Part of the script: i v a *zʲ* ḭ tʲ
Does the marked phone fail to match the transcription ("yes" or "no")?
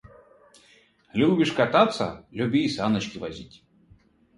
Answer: no